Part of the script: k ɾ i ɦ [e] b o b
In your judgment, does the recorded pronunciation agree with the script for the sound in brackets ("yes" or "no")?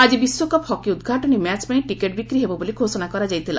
yes